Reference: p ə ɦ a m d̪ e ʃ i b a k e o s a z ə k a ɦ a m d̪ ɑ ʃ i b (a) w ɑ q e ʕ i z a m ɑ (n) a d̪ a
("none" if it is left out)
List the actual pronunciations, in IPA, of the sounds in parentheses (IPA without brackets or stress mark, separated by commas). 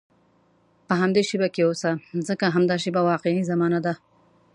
a, n